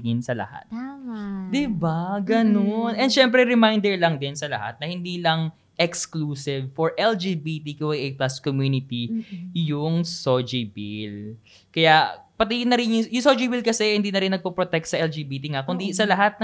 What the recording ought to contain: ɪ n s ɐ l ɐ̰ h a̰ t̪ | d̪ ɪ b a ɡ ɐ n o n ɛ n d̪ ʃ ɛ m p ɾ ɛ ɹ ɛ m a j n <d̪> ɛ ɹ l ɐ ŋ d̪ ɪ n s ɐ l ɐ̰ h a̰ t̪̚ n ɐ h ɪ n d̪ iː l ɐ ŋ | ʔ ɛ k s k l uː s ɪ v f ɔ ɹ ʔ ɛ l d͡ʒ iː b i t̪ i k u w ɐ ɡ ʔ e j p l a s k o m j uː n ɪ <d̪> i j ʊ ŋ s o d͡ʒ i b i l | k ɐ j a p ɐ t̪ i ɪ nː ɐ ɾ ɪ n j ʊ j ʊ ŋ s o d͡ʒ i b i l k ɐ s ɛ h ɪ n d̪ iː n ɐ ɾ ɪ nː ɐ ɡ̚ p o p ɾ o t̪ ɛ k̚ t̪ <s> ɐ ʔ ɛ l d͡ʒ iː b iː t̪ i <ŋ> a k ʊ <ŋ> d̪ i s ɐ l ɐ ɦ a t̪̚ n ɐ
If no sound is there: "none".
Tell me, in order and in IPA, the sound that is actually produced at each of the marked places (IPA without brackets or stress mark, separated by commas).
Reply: d̪, t̪, s, ŋ, n